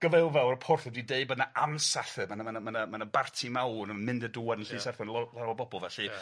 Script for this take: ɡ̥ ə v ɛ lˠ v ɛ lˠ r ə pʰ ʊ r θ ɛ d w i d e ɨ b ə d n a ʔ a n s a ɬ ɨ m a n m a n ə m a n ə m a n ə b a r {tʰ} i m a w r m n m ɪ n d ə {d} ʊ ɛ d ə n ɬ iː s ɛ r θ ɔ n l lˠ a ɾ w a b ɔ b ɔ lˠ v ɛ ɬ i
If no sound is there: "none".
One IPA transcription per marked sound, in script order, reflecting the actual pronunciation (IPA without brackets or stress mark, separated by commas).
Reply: tʰ, d